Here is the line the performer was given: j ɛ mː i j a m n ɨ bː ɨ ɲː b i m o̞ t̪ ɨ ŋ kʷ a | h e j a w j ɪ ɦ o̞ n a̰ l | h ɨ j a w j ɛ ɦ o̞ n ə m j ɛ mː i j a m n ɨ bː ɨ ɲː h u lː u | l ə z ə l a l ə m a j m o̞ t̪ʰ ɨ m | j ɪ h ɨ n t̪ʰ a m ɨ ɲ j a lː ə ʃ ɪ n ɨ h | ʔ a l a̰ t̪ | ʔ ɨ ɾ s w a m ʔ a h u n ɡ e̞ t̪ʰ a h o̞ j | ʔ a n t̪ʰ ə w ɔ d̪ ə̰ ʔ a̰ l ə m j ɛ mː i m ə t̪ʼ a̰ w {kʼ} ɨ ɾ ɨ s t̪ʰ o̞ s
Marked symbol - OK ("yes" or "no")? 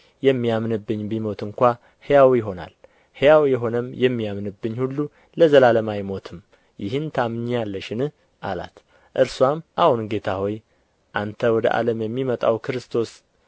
no